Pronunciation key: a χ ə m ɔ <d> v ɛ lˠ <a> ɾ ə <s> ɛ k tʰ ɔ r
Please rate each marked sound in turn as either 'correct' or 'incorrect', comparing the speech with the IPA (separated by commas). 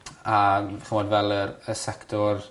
correct, incorrect, correct